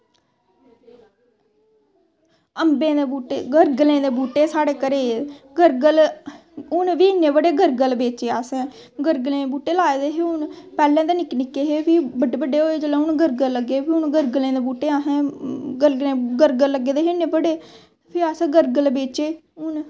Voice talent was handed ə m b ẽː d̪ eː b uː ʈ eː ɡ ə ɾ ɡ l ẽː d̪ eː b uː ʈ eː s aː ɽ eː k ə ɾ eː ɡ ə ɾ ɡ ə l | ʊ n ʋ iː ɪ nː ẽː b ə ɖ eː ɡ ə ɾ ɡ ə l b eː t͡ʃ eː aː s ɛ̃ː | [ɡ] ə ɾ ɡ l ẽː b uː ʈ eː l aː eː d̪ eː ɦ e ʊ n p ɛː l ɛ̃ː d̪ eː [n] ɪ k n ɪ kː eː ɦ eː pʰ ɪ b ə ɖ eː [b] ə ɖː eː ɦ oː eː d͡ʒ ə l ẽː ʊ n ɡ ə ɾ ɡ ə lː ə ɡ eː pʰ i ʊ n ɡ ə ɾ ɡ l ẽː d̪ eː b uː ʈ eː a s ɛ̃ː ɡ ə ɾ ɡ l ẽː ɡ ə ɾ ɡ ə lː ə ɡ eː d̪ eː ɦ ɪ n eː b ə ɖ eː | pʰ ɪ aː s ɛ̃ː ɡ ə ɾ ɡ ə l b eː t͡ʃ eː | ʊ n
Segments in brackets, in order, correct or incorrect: correct, correct, correct

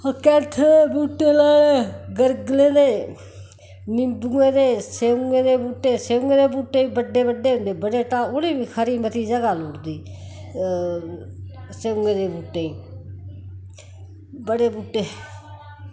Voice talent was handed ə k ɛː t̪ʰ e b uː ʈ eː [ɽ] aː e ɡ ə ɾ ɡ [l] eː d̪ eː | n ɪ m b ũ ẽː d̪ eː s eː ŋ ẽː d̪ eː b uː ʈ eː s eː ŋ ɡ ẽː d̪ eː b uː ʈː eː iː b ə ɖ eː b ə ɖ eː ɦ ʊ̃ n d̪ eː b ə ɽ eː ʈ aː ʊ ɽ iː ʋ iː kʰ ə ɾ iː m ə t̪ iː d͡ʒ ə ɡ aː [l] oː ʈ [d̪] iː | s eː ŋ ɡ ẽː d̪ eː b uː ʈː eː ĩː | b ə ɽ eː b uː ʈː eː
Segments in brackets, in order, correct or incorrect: incorrect: l, correct, correct, correct

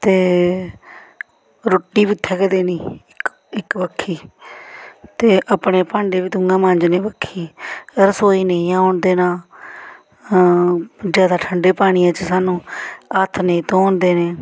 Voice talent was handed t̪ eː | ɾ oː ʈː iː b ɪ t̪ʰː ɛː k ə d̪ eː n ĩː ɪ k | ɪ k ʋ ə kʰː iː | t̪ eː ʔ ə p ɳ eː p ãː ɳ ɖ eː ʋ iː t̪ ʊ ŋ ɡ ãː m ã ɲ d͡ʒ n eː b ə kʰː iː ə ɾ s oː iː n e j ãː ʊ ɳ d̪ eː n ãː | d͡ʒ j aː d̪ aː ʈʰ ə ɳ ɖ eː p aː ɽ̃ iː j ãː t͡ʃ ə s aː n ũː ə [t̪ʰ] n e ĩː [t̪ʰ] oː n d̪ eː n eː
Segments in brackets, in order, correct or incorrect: correct, incorrect: t̪

